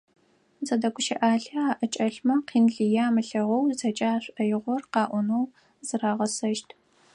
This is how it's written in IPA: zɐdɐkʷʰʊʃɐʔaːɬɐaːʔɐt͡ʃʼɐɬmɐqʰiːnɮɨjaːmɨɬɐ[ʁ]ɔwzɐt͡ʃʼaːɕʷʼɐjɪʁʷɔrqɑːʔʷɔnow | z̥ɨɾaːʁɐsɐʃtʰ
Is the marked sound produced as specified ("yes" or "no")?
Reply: yes